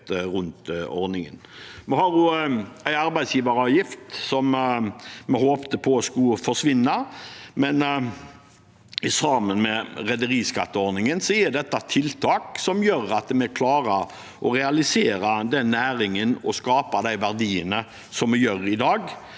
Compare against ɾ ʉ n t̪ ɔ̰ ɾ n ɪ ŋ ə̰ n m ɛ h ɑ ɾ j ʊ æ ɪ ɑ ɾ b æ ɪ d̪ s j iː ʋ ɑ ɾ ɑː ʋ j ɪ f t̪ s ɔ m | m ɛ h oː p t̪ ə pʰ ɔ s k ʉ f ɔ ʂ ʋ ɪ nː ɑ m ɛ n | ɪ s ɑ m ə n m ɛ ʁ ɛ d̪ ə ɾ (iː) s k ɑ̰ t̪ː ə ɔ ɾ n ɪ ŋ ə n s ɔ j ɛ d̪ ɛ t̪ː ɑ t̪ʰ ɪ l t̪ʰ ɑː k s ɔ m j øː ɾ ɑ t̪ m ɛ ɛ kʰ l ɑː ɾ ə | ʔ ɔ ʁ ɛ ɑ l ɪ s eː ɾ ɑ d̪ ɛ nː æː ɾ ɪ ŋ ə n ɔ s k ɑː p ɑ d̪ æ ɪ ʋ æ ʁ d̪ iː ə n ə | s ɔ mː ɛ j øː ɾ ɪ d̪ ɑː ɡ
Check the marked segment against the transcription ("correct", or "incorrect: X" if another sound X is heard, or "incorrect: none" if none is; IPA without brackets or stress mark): correct